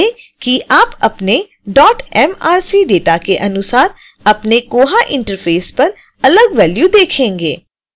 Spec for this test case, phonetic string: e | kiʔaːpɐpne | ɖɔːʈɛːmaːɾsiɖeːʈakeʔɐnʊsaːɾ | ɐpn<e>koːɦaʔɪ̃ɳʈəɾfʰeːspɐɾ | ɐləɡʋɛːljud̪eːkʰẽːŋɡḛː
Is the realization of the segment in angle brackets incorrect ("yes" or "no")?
no